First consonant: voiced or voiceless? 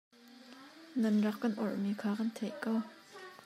voiced